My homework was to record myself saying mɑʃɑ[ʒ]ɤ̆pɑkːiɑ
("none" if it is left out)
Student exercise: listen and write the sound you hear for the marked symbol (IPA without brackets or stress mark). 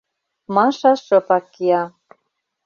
ʃ